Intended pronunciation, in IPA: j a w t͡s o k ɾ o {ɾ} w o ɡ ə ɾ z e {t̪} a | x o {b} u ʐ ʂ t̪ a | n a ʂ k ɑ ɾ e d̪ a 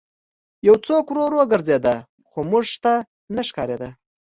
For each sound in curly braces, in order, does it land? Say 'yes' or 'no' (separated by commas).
yes, no, no